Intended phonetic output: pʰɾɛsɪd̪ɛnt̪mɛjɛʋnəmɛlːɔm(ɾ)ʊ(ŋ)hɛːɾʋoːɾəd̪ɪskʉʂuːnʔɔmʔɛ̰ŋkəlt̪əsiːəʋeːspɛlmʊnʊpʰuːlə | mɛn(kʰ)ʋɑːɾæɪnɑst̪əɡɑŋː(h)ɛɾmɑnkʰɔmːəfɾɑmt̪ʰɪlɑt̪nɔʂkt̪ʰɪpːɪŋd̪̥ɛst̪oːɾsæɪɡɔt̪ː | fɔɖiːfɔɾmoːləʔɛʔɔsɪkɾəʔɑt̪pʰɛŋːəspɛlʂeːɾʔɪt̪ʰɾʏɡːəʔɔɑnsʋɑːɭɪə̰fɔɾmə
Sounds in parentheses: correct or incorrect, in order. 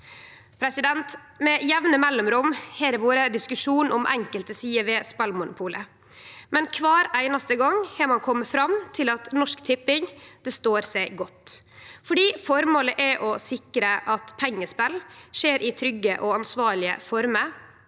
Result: correct, incorrect, correct, correct

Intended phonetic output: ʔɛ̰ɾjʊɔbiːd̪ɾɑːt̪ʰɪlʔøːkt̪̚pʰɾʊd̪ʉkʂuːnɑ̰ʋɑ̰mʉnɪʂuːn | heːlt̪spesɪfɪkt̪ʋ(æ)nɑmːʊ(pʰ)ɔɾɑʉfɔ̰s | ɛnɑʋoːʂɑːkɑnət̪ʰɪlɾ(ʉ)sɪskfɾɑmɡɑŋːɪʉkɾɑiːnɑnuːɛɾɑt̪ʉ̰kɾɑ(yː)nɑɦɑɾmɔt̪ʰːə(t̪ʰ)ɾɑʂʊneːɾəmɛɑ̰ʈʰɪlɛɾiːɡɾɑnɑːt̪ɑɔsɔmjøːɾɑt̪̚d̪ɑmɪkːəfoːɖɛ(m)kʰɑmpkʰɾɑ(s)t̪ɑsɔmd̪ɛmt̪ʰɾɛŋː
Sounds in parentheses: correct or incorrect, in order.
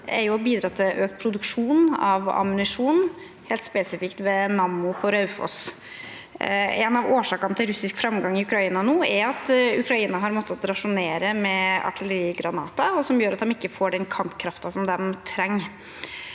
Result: incorrect, correct, correct, incorrect, incorrect, incorrect, incorrect

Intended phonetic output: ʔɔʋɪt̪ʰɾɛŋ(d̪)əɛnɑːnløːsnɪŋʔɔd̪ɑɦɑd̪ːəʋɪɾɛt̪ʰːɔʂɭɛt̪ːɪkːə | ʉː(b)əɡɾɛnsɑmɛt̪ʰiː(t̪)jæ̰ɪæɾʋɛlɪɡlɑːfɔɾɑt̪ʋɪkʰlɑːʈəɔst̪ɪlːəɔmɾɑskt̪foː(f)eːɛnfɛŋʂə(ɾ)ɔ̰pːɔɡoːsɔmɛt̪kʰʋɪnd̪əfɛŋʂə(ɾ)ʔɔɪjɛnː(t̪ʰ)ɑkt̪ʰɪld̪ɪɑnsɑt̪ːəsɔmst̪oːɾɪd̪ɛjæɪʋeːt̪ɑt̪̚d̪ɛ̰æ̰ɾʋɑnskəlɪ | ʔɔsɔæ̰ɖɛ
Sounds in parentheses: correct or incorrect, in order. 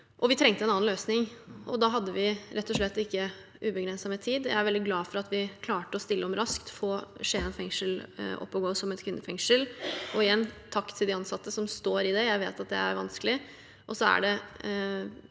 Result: incorrect, correct, incorrect, incorrect, incorrect, incorrect, correct

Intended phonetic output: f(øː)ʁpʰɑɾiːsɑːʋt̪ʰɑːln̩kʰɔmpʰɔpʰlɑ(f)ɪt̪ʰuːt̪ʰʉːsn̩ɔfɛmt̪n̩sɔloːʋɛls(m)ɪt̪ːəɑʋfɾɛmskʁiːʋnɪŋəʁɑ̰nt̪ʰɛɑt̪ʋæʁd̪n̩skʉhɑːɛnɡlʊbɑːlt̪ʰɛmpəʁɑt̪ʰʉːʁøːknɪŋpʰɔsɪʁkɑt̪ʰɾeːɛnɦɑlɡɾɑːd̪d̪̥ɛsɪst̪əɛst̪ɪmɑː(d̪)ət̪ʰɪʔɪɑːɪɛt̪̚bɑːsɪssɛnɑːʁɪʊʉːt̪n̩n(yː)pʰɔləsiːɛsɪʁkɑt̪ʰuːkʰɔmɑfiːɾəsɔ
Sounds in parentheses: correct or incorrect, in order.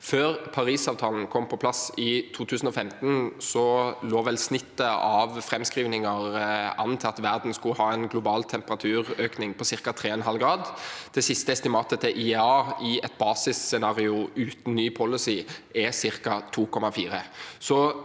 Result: correct, incorrect, incorrect, incorrect, correct

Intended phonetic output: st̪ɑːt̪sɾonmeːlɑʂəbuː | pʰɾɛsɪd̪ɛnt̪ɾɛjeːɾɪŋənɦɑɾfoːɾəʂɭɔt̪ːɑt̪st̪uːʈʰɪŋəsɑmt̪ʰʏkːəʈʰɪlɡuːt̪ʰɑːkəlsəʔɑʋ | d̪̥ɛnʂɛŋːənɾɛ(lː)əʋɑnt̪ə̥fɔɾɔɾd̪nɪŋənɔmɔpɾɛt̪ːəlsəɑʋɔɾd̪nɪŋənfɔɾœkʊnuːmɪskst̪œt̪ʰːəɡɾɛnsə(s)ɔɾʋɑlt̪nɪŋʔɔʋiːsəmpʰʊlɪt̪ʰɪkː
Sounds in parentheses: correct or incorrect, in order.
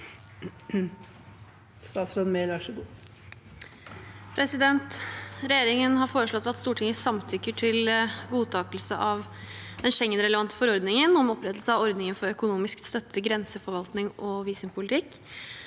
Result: incorrect, incorrect

